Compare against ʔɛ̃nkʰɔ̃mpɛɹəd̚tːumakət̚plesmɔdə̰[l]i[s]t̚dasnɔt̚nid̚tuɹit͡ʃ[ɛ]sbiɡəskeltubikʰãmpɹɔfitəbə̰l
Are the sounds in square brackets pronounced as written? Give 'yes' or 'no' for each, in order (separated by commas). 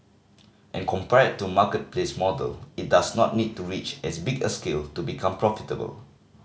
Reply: yes, no, yes